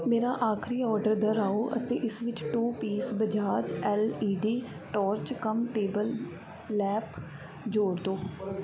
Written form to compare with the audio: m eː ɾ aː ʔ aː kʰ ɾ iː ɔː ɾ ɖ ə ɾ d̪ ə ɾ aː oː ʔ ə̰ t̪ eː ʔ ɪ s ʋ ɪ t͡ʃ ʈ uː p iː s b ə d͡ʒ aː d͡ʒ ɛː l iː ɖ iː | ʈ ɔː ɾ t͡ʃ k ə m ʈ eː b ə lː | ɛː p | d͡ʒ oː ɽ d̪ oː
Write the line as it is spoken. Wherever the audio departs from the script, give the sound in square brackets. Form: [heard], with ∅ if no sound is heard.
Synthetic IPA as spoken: m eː ɾ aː ʔ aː kʰ ɾ iː ɔː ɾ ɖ ə ɾ d̪ ə ɾ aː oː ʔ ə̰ t̪ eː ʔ ɪ s ʋ ɪ t͡ʃ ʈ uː p iː s b ə d͡ʒ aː d͡ʒ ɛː l iː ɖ iː | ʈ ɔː ɾ t͡ʃ k ə m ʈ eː b ə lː | ɛː p | d͡ʒ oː ɽ d̪ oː